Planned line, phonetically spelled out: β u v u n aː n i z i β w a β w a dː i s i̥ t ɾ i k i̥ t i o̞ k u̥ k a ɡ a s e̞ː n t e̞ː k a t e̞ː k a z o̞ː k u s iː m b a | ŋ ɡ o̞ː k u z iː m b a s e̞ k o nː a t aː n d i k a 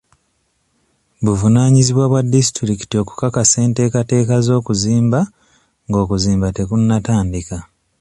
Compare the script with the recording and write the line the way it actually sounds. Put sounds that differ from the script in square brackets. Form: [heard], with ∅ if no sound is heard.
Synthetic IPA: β u v u n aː [ɲ] i z i β w a β w a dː i s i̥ t ɾ i k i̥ t i o̞ k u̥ k a [k] a s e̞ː n t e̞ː k a t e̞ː k a z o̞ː k u [z] iː m b a | ŋ ɡ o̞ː k u z iː m b a [t] e̞ k [u] nː a t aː n d i k a